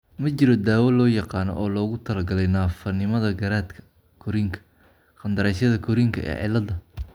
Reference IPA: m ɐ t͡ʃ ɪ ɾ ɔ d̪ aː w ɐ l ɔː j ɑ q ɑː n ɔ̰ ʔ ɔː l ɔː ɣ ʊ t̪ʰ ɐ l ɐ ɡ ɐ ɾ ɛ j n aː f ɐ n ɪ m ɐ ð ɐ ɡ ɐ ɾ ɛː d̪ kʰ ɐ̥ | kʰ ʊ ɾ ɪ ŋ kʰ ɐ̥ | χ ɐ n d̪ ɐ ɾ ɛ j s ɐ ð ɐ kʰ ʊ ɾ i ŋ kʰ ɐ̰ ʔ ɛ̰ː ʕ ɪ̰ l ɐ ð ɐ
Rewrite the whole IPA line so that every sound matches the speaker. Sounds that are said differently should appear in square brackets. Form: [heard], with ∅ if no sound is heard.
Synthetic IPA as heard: m ɐ t͡ʃ ɪ ɾ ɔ d̪ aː w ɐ l ɔː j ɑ q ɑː n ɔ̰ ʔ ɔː l ɔː ɣ ʊ t̪ʰ ɐ l ɐ ɡ ɐ [l] ɛ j n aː f ɐ n ɪ m ɐ ð ɐ ɡ ɐ ɾ [aː] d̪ kʰ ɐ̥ | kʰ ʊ ɾ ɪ ŋ kʰ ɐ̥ | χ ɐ n d̪ ɐ ɾ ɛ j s ɐ ð ɐ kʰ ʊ ɾ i ŋ kʰ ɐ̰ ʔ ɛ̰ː ʕ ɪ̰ l ɐ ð ɐ

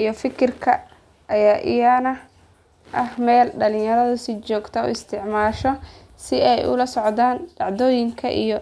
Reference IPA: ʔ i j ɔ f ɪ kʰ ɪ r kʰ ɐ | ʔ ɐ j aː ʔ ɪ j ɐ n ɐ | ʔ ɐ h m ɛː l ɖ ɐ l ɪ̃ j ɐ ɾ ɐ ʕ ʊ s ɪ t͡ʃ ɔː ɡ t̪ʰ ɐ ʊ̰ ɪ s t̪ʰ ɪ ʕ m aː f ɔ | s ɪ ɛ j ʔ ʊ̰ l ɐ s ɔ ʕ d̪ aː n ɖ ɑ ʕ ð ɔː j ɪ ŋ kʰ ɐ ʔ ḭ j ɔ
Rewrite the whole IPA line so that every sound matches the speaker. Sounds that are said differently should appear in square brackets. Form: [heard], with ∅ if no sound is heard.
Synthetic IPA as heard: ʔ i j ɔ f ɪ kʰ ɪ r kʰ ɐ | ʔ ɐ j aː ʔ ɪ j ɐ n ɐ | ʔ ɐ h m ɛː l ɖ ɐ l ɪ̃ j ɐ ɾ ɐ [ð] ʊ s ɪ t͡ʃ ɔː ɡ t̪ʰ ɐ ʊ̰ ɪ s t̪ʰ ɪ ʕ m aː [ʃ] ɔ | s ɪ ɛ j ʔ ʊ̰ l ɐ s ɔ ʕ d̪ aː n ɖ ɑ ʕ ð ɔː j ɪ ŋ kʰ ɐ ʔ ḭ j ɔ

